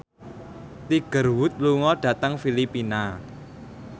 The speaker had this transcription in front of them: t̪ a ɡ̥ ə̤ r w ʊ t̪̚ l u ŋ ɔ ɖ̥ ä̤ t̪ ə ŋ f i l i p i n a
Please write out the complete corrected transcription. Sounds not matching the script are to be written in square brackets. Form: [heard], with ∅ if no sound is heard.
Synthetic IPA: t̪ [i] ɡ̥ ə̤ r w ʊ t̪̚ l u ŋ ɔ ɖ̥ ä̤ t̪ ə ŋ f i l i p i n a

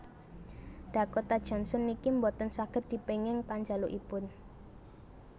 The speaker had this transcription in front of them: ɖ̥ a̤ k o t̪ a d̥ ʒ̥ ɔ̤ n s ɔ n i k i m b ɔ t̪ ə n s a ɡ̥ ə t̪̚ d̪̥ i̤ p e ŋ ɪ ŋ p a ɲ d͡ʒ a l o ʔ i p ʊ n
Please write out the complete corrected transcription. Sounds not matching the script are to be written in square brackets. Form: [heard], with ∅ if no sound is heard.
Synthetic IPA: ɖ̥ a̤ k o t̪ a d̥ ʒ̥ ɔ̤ n s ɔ n i k i m b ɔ t̪ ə n s a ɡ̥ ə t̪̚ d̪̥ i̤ p e ŋ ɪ ŋ p a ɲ d͡ʒ a l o ʔ i p ʊ n

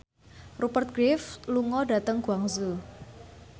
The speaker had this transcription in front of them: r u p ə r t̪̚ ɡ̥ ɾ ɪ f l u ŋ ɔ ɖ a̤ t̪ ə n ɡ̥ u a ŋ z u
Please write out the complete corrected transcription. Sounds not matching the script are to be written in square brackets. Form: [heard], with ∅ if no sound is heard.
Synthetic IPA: r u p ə r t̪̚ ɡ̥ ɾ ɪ f l u ŋ ɔ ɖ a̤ t̪ ə [ŋ] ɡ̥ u a ŋ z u

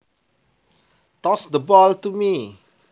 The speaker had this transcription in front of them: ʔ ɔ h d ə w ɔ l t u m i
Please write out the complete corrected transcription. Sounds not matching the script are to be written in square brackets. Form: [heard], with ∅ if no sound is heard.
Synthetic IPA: [t] ɔ [s] d ə [b] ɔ l t u m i

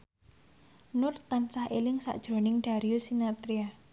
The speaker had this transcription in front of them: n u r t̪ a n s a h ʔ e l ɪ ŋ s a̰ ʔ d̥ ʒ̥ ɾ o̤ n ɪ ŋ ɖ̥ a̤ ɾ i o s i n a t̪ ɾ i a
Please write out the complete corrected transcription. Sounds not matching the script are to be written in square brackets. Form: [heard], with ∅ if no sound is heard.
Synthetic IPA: n [ʊ] r t̪ a n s a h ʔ e l ɪ ŋ s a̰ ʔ d̥ ʒ̥ ɾ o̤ n ɪ ŋ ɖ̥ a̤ ɾ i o s i n a t̪ ɾ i a

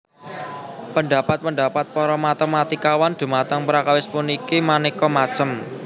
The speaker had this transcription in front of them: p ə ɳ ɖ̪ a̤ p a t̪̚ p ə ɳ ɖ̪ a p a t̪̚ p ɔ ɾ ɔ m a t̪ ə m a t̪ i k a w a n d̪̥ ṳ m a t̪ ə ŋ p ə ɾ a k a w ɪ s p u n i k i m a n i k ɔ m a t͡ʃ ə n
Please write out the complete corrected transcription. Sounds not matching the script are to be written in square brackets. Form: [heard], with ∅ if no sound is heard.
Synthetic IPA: p ə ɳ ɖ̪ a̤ p a t̪̚ p ə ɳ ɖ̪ a p a t̪̚ p ɔ ɾ ɔ m a t̪ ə m a t̪ i k a w a n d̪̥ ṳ m a t̪ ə ŋ p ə ɾ a k a w ɪ s p u n i k i m a n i k ɔ m a t͡ʃ ə [m]

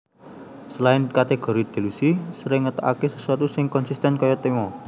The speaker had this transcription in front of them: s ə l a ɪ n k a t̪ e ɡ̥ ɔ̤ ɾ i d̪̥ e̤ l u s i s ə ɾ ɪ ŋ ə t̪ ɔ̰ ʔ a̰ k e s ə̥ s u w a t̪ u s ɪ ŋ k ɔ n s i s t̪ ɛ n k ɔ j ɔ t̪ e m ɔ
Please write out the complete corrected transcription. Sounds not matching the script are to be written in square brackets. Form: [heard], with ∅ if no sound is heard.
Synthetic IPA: s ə l a ɪ n k a t̪ e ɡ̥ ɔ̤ ɾ i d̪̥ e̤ l u s i s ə ɾ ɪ ŋ ə t̪ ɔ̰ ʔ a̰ k e s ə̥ s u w a t̪ u s ɪ ŋ k ɔ n s i s t̪ ɛ n k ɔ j ɔ t̪ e m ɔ

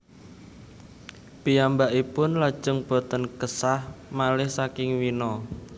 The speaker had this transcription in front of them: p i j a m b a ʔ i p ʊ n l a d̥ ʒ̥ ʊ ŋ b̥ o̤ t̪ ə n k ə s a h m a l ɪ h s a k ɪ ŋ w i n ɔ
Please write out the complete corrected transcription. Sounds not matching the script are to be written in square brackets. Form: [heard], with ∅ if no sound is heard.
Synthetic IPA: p i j a m b a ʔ i p ʊ n l a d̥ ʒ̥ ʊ ŋ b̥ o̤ t̪ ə n k ə s a h m a l ɪ h s a k ɪ ŋ w i n ɔ

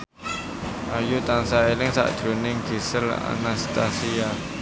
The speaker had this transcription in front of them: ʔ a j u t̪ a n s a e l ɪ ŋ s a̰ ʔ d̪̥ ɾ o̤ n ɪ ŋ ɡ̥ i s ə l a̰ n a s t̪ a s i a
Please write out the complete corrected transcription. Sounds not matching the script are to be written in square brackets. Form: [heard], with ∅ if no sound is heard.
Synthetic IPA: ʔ a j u t̪ a n s a e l ɪ ŋ s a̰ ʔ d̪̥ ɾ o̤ n ɪ ŋ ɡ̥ i s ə l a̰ n a s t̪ a s i a

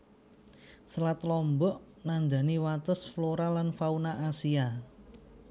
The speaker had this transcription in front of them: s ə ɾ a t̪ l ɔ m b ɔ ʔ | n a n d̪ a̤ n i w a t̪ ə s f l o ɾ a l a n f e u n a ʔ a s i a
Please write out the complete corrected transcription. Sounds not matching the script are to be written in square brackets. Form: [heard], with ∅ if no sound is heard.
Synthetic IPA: s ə [l] a t̪ l ɔ m b ɔ ʔ | n a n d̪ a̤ n i w a t̪ ə s f l o ɾ a l a n f [a] u n a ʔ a s i a

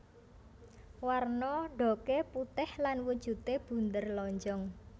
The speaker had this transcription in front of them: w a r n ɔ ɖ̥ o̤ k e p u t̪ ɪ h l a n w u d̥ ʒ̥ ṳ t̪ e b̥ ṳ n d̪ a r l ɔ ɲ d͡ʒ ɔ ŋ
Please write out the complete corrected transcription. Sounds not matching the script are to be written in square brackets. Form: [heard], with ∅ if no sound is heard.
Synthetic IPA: w a r n ɔ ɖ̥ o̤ k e p u t̪ ɪ h l a n w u d̥ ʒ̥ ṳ t̪ e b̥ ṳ n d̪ [ə] r l ɔ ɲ d͡ʒ ɔ ŋ

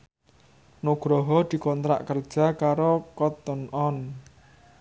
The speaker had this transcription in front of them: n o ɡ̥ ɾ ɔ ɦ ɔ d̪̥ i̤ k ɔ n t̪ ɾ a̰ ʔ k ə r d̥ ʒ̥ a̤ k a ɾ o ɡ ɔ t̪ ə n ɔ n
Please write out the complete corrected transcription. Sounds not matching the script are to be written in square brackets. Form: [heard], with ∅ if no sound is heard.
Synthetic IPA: n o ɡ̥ ɾ ɔ ɦ ɔ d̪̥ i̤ k ɔ n t̪ ɾ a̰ ʔ k ə r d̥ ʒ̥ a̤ k a ɾ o [k] ɔ t̪ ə n ɔ n

